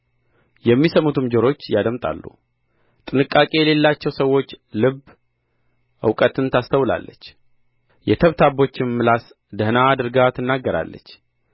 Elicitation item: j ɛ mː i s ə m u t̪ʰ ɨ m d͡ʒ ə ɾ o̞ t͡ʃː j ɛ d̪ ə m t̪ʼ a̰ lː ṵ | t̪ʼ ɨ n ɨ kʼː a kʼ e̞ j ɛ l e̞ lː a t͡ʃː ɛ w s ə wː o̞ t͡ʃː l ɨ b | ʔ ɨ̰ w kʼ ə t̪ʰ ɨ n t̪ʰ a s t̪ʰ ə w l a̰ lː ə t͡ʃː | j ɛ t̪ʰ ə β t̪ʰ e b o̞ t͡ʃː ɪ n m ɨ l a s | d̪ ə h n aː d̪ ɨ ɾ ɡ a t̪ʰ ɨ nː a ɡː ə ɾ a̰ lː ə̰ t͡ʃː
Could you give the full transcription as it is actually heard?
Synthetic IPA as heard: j ɛ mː i s ə m u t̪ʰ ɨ m d͡ʒ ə ɾ o̞ t͡ʃː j a d̪ ə m t̪ʼ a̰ lː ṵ | t̪ʼ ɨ n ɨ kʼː a kʼ e̞ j ɛ l e̞ lː a t͡ʃː ɛ w s ə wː o̞ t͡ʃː l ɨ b | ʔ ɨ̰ w kʼ ə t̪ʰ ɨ n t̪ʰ a s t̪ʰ ə w l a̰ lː ə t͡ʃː | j ɛ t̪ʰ ə β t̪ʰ a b o̞ t͡ʃː ɪ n m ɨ l a s | d̪ ə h n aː d̪ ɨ ɾ ɡ a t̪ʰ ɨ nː a ɡː ə ɾ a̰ lː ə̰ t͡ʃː